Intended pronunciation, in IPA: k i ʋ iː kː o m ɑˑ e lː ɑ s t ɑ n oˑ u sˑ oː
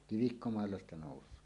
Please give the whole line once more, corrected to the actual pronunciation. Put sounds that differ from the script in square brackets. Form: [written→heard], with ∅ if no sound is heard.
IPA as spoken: k i ʋ [iː→i] kː o m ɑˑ e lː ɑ s t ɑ n oˑ u sˑ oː